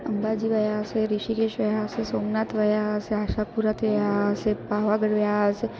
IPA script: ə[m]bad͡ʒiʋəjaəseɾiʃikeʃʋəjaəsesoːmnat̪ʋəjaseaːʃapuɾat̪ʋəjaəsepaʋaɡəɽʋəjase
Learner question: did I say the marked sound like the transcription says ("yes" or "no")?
yes